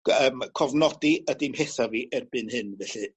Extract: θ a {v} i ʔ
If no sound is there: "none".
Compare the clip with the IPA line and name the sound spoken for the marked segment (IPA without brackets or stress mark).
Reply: v